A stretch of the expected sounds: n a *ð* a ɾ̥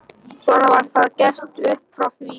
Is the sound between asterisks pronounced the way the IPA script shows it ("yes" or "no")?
no